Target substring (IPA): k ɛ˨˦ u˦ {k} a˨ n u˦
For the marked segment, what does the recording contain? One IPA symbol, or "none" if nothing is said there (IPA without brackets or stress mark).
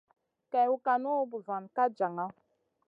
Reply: k